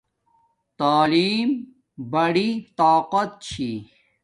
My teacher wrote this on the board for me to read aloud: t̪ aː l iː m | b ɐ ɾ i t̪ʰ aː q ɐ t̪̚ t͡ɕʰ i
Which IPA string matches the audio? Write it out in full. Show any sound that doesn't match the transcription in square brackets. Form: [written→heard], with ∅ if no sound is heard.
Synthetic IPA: t̪ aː l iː m | b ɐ [ɾ→ɽ] i [t̪ʰ→t̪] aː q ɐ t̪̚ t͡ɕʰ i